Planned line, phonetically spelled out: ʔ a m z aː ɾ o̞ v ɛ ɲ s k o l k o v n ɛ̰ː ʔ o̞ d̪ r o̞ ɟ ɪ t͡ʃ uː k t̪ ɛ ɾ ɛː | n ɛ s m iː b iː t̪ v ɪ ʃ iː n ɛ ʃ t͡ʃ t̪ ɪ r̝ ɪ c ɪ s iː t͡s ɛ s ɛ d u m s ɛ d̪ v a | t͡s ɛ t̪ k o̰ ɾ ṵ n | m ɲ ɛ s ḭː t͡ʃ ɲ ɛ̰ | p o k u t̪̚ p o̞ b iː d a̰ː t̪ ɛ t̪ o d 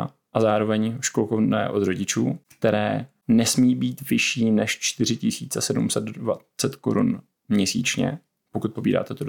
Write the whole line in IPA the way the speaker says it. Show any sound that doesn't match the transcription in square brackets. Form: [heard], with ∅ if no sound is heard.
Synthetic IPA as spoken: ʔ a [∅] z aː ɾ o̞ v ɛ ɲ [ʃ] k o l k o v n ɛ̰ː ʔ o̞ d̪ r o̞ ɟ ɪ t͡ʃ uː k t̪ ɛ ɾ ɛː | n ɛ s m iː b iː t̪ v ɪ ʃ iː n ɛ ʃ t͡ʃ t̪ ɪ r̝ ɪ c ɪ s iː t͡s ɛ s ɛ d u m s ɛ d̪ v a | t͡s ɛ t̪ k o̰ ɾ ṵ n | m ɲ ɛ s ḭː t͡ʃ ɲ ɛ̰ | p o k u t̪̚ p o̞ b iː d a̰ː t̪ ɛ t̪ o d